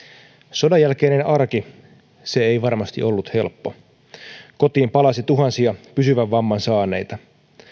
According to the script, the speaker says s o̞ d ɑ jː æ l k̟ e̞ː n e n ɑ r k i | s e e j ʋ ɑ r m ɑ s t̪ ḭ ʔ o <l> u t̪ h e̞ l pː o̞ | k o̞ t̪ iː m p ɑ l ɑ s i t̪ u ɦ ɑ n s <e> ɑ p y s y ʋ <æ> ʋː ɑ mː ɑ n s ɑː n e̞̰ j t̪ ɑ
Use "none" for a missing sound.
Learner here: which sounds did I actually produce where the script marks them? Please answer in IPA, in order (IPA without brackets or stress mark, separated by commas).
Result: lː, i, æ